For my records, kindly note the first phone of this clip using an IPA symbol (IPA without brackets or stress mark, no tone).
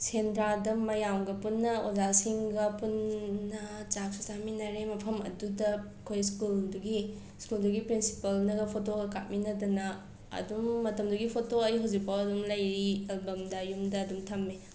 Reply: s